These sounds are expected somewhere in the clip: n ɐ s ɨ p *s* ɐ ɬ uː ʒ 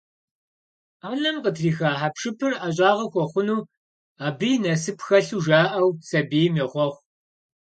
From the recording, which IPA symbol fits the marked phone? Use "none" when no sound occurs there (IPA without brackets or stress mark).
x